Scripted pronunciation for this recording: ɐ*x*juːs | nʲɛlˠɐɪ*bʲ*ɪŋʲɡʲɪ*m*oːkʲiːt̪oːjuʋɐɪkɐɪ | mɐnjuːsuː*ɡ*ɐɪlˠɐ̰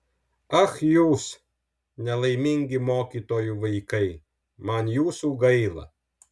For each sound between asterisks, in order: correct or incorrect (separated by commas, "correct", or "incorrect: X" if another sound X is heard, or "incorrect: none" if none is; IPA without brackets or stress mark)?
correct, incorrect: mʲ, correct, correct